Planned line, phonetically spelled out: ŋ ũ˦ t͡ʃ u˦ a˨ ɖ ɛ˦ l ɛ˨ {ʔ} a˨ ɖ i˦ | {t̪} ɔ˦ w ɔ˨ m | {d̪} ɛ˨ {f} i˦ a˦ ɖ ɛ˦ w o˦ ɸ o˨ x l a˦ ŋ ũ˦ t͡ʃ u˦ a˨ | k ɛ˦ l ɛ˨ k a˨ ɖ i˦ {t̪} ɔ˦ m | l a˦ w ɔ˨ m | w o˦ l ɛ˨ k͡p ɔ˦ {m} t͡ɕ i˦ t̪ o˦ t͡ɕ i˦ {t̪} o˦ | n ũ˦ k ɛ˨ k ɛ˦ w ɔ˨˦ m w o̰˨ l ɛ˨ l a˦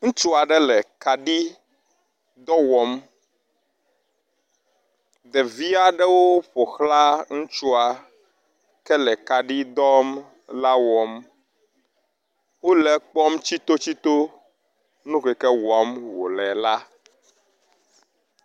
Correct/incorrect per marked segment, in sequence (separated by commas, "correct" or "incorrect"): incorrect, incorrect, correct, incorrect, incorrect, correct, correct